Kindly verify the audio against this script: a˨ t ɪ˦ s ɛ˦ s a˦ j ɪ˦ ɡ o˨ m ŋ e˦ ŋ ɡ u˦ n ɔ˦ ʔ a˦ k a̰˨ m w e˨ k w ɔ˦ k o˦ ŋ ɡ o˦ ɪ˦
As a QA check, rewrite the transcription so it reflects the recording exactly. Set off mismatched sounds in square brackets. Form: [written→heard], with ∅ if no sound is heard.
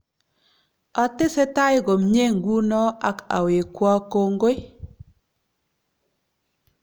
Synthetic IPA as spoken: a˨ t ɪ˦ s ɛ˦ [s→t] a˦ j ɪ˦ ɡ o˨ m [ŋ→ɲ] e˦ ŋ ɡ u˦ n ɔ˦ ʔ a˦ k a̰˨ [m→∅] w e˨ k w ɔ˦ k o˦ ŋ ɡ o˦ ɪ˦